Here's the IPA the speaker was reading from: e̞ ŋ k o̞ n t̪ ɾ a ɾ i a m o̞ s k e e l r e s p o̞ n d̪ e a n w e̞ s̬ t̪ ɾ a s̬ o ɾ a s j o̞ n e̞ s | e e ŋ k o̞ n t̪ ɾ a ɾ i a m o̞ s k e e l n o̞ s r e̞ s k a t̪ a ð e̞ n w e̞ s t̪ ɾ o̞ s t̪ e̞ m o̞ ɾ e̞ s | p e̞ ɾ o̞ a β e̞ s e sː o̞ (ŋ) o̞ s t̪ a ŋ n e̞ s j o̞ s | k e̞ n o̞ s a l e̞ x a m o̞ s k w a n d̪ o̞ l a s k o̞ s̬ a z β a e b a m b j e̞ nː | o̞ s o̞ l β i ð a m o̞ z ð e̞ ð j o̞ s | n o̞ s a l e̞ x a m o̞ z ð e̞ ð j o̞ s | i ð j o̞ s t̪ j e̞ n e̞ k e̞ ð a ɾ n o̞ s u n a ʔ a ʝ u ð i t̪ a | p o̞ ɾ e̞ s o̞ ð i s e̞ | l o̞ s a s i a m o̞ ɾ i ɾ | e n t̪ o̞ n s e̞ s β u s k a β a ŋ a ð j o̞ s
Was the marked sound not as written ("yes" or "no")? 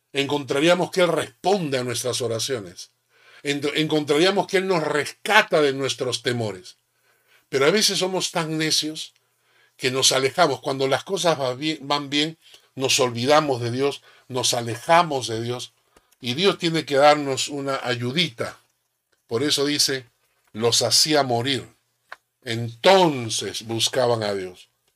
yes